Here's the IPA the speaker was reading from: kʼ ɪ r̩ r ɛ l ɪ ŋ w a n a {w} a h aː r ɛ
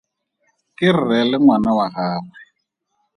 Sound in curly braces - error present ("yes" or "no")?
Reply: no